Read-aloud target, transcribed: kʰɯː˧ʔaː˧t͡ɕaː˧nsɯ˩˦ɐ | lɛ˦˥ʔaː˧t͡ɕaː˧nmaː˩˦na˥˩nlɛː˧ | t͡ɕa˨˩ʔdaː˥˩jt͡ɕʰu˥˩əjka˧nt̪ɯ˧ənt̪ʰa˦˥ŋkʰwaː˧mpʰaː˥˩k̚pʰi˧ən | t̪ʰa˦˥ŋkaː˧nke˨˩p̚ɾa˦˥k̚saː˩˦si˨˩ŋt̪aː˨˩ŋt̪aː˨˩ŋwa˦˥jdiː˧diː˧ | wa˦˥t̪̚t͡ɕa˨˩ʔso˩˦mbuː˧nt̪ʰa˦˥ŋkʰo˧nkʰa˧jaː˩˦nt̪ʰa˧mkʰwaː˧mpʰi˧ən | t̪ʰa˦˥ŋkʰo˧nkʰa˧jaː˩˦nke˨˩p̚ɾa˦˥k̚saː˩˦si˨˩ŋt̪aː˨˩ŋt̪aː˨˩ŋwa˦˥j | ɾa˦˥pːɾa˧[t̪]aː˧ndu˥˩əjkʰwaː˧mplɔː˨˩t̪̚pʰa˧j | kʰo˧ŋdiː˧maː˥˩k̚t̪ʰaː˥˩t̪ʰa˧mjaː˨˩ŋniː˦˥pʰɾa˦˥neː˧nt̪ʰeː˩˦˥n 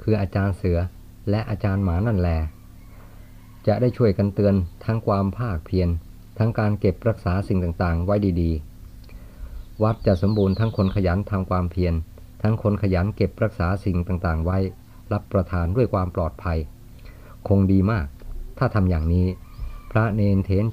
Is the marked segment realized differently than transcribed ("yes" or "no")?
yes